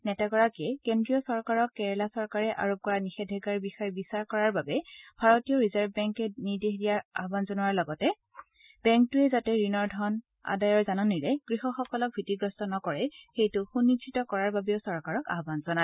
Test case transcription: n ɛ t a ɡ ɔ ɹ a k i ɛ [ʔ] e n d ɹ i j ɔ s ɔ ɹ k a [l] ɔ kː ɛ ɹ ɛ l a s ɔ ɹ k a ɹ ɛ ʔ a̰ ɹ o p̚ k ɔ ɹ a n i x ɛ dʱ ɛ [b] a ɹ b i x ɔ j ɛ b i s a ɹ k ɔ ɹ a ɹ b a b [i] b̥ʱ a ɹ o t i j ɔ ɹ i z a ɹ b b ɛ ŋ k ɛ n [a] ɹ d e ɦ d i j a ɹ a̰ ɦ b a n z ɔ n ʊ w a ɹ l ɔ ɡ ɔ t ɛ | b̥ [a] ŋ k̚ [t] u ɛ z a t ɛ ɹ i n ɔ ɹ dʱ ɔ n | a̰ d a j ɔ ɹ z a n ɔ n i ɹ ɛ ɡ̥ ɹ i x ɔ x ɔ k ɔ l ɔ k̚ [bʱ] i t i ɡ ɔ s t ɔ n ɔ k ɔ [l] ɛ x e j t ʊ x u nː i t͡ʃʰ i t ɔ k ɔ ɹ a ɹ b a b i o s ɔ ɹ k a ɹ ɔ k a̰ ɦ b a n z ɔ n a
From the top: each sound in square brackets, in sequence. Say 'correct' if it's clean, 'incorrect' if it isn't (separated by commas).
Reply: incorrect, incorrect, incorrect, incorrect, incorrect, incorrect, correct, correct, incorrect